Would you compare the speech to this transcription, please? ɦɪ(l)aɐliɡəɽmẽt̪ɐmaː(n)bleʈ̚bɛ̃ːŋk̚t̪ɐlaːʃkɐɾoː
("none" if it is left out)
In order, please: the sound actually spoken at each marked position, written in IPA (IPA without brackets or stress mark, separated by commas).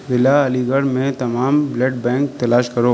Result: l, m